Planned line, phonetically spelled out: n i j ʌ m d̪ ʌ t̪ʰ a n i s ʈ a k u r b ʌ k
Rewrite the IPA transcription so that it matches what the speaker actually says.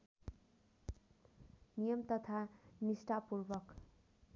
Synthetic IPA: n i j ʌ m t̪ ʌ t̪ʰ a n i s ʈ a p u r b ʌ k